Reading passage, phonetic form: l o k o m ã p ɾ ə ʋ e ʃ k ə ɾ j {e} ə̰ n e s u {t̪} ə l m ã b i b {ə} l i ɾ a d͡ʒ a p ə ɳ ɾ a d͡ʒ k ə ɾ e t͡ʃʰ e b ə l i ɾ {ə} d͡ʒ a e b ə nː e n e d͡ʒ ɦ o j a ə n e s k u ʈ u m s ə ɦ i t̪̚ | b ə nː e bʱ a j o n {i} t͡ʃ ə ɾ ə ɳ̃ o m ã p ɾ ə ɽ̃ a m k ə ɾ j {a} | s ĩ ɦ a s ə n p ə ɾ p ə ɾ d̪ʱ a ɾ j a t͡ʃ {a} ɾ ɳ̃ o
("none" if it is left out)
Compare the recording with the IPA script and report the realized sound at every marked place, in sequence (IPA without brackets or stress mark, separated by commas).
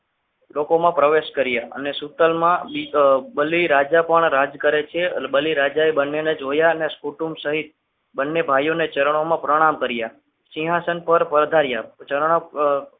a, t̪, ə, a, e, a, ə